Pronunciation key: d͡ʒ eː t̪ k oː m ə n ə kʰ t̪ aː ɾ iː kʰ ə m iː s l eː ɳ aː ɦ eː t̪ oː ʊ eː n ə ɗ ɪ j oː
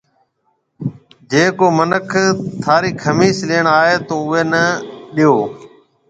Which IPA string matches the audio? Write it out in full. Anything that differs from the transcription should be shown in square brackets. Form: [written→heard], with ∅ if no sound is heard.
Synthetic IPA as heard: d͡ʒ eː [t̪→∅] k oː m ə n ə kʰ [t̪→t̪ʰ] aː ɾ iː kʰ ə m iː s l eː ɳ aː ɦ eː t̪ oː ʊ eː n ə ɗ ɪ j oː